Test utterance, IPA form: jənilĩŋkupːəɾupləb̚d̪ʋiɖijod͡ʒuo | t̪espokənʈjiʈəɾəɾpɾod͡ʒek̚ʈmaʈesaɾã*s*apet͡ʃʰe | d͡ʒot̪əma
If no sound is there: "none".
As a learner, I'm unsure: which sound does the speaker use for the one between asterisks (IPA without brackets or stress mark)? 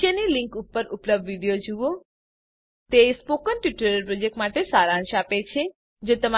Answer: ʃ